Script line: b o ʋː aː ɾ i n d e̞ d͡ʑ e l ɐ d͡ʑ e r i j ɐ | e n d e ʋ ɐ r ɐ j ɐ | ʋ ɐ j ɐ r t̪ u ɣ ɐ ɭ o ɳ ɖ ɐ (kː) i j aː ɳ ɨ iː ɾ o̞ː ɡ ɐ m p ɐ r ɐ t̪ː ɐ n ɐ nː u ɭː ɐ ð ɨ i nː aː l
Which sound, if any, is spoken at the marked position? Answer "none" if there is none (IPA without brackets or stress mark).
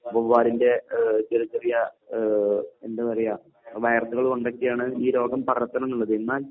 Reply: kː